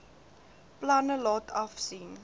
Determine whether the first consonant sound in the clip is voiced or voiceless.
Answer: voiceless